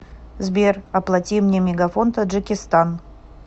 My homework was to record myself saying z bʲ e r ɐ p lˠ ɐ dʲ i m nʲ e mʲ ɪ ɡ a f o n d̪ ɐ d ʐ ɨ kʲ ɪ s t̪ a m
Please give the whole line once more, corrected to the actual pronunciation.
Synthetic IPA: z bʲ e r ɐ p lˠ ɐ tʲ i m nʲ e mʲ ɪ ɡ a f o n t̪ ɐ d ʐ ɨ kʲ ɪ s t̪ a n